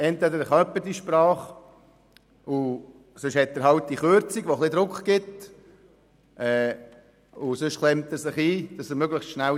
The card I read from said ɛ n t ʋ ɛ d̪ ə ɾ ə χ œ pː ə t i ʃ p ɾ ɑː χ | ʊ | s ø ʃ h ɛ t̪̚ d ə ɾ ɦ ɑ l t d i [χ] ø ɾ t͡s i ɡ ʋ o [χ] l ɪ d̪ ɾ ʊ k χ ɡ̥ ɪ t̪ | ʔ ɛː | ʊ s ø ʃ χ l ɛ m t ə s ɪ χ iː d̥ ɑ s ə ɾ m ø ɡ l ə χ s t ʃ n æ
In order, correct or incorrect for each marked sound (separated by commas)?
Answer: correct, correct